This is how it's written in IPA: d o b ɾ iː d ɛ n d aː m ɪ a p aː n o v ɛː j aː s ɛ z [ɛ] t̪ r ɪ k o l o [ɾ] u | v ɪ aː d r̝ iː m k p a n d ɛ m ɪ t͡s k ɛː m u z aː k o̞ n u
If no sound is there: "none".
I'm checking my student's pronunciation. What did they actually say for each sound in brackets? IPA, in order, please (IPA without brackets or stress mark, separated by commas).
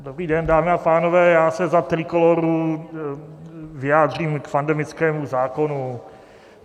a, ɾ